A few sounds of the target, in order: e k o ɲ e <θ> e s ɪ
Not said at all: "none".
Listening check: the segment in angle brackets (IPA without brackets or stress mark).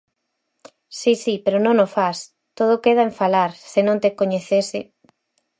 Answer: θ